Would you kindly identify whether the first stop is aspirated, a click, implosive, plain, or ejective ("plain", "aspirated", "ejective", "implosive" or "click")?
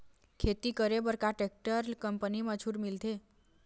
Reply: aspirated